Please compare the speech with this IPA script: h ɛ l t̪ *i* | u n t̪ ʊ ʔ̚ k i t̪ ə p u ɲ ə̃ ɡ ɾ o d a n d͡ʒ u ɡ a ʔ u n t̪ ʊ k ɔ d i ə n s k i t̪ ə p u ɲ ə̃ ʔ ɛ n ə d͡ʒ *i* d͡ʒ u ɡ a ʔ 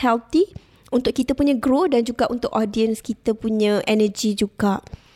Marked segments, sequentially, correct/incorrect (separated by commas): correct, correct